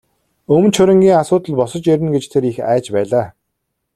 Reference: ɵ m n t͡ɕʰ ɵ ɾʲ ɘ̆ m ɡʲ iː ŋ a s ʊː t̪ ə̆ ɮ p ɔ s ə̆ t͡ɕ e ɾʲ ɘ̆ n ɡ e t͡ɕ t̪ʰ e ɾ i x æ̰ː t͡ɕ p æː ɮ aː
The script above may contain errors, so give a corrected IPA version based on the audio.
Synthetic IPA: ɵ m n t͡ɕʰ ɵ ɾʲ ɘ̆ ŋ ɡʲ iː ŋ a s ʊː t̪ ə̆ ɮ p ɔ s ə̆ t͡ɕ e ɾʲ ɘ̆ n ɡ e t͡ɕ t̪ʰ e ɾ i x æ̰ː t͡ɕ p æː ɮ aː